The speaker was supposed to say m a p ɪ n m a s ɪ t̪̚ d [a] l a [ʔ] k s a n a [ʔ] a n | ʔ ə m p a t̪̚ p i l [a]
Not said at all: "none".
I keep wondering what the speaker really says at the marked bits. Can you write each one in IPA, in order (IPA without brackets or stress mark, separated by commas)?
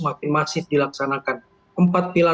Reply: i, none, k, a